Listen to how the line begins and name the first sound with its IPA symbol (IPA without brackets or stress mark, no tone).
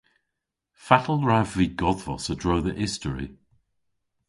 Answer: f